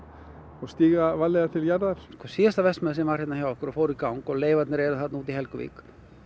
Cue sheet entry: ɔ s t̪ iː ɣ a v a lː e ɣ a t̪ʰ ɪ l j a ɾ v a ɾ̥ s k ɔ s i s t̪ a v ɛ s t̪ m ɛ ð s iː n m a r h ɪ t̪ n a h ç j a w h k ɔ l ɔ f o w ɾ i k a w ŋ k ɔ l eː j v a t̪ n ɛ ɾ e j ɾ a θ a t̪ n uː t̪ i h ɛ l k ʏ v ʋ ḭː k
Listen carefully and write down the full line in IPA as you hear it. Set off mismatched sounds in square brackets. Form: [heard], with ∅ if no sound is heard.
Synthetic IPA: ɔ s t̪ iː ɣ a v a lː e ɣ a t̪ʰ ɪ l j a ɾ [ð] a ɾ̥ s k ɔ s i s t̪ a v ɛ s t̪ m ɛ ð s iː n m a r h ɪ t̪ n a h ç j a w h k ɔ [ɾ] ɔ f o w ɾ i k a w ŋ k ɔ l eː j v a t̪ n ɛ ɾ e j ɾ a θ a t̪ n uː t̪ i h ɛ l k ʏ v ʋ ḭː k